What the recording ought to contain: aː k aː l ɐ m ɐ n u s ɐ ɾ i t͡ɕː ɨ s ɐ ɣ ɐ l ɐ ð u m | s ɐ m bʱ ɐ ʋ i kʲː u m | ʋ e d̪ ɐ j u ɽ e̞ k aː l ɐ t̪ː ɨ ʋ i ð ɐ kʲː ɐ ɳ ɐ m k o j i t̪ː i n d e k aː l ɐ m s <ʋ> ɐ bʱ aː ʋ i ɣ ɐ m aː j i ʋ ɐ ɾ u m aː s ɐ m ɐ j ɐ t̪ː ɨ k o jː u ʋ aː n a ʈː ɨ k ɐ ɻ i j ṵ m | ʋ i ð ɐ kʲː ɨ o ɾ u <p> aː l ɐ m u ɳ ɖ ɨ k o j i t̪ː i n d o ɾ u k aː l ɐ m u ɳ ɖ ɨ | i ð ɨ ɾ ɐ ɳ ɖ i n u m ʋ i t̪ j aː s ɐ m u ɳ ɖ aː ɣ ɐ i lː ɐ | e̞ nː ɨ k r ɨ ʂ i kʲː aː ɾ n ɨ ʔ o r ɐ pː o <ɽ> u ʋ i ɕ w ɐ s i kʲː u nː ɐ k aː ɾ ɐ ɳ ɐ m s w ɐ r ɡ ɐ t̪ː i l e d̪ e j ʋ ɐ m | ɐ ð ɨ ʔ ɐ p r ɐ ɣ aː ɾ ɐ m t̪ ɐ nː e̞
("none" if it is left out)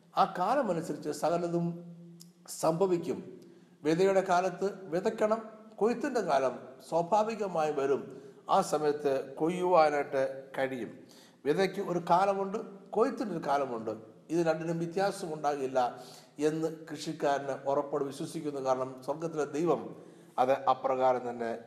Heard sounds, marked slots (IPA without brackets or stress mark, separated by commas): w, k, ɽ